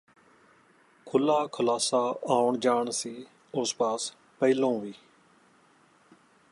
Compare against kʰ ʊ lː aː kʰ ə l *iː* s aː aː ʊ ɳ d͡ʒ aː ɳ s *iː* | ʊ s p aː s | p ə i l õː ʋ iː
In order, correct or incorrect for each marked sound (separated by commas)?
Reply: incorrect, correct